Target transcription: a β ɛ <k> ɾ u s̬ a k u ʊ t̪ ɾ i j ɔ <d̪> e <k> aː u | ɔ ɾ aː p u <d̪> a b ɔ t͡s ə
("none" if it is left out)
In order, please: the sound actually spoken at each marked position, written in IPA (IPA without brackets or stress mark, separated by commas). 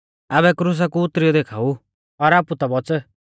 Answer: k, d̪, kʰ, t̪